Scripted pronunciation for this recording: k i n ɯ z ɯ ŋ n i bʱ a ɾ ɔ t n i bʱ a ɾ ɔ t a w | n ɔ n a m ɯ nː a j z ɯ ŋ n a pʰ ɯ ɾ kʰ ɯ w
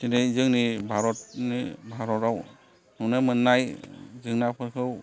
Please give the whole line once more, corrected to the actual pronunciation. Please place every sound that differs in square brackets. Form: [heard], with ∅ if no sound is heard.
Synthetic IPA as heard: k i n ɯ z ɯ ŋ n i bʱ a ɾ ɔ t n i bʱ a ɾ ɔ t a w | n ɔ n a m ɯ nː a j z ɯ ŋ n a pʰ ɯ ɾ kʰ ɯ w